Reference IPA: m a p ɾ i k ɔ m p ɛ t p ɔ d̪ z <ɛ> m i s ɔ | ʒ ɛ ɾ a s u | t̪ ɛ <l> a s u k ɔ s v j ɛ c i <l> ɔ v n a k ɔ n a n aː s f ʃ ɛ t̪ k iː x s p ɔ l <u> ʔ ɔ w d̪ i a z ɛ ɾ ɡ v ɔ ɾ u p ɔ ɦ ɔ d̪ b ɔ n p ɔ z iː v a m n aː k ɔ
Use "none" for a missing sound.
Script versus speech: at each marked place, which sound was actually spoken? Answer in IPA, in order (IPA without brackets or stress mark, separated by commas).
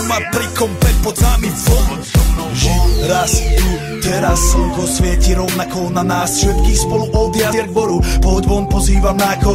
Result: a, ɾ, ɾ, u